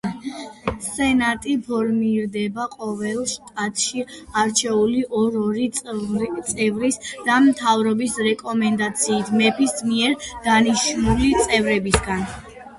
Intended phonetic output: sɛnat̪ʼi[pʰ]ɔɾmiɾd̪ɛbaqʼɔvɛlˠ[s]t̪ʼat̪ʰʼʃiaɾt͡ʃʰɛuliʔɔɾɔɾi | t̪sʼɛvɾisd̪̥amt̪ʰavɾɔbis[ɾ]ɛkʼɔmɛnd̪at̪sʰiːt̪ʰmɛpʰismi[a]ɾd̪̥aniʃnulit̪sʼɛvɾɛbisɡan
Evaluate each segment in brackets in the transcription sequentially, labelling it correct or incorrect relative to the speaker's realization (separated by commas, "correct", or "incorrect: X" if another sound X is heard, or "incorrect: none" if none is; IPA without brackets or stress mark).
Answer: correct, incorrect: ʃ, correct, incorrect: ɛ